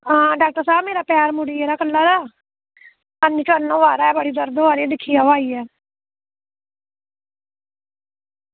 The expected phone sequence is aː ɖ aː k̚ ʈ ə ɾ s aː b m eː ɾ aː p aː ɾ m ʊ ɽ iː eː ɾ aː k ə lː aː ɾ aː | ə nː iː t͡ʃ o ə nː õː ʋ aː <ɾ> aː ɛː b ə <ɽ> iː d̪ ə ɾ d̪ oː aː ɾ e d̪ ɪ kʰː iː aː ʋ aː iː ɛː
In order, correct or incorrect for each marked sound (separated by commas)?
correct, correct